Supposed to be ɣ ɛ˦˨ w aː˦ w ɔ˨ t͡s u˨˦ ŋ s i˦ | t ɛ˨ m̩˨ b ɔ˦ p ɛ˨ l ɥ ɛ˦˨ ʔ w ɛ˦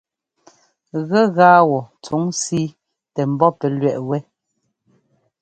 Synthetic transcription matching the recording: ɣ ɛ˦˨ ɣ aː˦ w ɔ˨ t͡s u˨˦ ŋ s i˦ | t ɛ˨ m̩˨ b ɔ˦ p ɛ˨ l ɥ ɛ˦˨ ʔ w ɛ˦